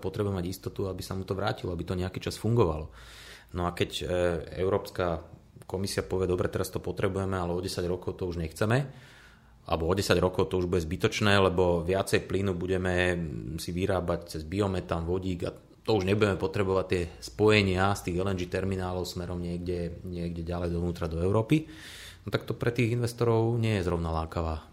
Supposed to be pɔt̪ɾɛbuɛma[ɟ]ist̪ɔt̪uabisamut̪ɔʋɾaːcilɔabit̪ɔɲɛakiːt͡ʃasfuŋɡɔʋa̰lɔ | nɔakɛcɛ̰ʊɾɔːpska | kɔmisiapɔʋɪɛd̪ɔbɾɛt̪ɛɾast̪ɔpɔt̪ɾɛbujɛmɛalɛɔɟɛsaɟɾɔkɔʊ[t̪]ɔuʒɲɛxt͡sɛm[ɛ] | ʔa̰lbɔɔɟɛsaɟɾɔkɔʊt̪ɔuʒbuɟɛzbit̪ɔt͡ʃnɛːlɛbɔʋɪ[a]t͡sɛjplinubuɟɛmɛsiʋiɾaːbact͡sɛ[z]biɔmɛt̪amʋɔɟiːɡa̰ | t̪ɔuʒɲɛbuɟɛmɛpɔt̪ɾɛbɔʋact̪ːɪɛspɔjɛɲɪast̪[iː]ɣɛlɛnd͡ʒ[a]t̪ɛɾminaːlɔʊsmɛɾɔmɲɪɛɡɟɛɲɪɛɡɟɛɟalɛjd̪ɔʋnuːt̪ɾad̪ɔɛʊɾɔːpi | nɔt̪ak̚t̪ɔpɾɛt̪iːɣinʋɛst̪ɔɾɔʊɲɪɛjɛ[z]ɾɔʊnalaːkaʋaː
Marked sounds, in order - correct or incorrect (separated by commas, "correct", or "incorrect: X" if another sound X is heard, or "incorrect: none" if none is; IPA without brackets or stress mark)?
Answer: correct, correct, correct, correct, correct, correct, incorrect: i, correct